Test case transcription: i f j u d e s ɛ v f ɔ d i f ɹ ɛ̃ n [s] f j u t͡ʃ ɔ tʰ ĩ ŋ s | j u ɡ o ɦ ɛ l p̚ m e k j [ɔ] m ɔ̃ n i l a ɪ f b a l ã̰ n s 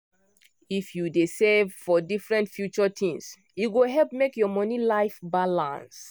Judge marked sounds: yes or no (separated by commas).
no, yes